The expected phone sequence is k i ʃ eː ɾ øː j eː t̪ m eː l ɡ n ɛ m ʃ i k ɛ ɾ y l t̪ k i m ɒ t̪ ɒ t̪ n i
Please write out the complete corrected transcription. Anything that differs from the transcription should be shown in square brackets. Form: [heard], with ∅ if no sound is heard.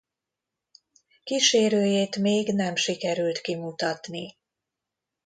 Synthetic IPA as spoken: k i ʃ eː ɾ øː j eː t̪ m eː [∅] ɡ n ɛ m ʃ i k ɛ ɾ y l t̪ k i m [u] t̪ ɒ t̪ n i